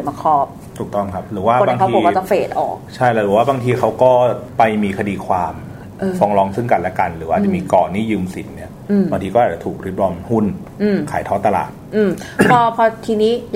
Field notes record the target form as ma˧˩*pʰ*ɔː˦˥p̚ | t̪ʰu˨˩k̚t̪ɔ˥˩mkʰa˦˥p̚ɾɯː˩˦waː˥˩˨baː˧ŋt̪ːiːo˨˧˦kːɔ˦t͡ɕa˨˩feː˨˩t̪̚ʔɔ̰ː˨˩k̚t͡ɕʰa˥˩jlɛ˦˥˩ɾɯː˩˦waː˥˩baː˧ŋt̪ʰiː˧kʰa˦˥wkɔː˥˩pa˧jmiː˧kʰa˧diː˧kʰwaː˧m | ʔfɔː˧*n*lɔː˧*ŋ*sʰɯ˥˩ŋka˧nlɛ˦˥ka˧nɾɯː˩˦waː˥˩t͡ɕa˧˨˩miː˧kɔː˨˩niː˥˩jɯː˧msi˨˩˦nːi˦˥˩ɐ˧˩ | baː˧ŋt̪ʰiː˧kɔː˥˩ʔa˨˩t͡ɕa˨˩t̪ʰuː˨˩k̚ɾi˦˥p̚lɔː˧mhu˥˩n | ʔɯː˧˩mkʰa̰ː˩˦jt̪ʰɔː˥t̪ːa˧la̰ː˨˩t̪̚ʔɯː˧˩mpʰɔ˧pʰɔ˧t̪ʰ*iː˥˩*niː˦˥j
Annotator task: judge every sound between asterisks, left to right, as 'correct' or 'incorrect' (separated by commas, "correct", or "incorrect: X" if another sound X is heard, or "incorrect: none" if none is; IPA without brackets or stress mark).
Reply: incorrect: kʰ, incorrect: ŋ, correct, incorrect: iː˧